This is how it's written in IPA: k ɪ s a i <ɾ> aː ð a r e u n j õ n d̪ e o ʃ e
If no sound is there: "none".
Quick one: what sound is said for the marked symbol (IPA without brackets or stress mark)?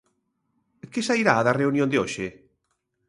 ɾ